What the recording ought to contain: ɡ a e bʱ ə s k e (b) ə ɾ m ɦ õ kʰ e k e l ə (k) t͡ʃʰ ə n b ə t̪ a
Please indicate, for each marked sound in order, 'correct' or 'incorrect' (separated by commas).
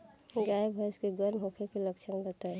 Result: incorrect, correct